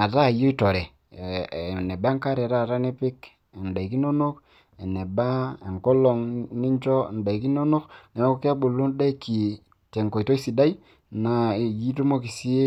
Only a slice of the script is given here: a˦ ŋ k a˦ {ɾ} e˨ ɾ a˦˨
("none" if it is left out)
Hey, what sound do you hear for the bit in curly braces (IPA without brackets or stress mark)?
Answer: ɾ